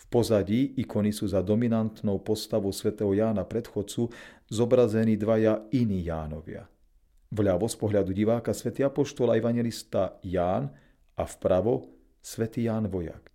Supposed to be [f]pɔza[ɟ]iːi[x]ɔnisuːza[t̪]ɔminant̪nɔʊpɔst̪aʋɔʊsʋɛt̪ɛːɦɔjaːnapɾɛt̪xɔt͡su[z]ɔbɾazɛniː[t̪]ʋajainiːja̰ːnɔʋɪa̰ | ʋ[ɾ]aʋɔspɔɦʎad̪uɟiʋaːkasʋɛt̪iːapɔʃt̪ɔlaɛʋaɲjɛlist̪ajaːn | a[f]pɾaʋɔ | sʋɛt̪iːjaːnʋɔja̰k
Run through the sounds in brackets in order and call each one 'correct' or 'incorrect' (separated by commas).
correct, correct, incorrect, incorrect, correct, incorrect, incorrect, correct